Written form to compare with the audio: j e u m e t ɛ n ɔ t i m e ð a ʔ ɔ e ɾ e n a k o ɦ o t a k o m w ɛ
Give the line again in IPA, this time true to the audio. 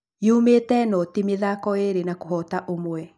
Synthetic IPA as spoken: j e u m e t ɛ n ɔ t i m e ð a k ɔ e ɾ e n a k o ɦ ɔ t a ʔ o m w ɛ